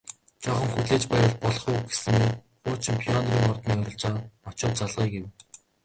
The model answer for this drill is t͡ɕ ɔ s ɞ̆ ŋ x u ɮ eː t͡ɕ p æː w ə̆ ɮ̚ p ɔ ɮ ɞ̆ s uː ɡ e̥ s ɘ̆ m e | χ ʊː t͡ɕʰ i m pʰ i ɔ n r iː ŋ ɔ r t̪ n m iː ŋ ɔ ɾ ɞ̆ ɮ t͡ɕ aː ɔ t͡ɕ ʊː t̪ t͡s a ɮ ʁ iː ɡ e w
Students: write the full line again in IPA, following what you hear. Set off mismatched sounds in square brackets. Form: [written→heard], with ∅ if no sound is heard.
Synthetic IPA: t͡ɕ ɔ [s→χ] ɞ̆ ŋ x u ɮ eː t͡ɕ p æː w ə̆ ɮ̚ p ɔ ɮ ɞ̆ [s→χ] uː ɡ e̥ s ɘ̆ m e | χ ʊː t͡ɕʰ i m pʰ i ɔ n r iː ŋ ɔ r t̪ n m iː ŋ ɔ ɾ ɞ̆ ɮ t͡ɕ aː ɔ t͡ɕ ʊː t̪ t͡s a ɮ ʁ iː ɡ e w